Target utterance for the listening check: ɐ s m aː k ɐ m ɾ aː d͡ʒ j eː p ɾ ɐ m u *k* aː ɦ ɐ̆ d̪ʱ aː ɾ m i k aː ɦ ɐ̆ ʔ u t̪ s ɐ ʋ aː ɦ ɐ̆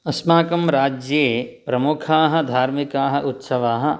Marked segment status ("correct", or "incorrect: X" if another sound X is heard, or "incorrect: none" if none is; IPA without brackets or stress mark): incorrect: kʰ